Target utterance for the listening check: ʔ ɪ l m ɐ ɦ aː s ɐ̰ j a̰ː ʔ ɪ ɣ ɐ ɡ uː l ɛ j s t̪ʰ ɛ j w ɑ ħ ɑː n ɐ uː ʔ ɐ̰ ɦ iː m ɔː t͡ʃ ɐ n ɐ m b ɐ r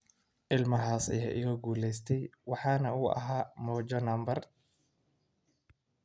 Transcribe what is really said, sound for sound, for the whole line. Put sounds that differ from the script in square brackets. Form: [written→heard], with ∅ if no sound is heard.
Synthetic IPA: ʔ ɪ l m ɐ ɦ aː s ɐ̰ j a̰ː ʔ ɪ ɣ ɐ ɡ uː l ɛ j s t̪ʰ ɛ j w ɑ ħ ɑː n ɐ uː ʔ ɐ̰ ɦ [iː→aː] m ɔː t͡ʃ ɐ n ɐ m b ɐ r